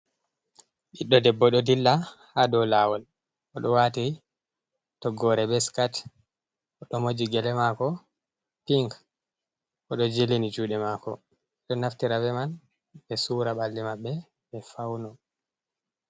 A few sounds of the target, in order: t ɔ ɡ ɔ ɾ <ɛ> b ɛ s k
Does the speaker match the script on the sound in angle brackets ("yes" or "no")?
yes